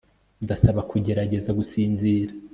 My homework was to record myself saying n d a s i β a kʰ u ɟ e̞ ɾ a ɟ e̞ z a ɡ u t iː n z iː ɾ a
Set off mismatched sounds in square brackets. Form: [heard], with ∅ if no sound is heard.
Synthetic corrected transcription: n d a s [a] β a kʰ u ɟ e̞ ɾ a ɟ e̞ z a ɡ u [s] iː n z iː ɾ a